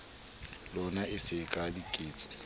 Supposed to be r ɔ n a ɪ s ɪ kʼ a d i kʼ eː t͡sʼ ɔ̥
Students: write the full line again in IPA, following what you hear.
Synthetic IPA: l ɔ n a ɪ s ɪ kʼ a d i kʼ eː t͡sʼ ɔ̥